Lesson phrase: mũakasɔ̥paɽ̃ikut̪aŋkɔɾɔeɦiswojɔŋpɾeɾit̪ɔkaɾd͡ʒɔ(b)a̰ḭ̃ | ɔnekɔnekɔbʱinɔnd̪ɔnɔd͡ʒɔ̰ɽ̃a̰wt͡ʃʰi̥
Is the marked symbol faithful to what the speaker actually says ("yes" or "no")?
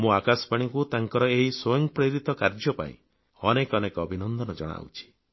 no